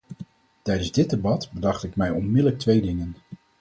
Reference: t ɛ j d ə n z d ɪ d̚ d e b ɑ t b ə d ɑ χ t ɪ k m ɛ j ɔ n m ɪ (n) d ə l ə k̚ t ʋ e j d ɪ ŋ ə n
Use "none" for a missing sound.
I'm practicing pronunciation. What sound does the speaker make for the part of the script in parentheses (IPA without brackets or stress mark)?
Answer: none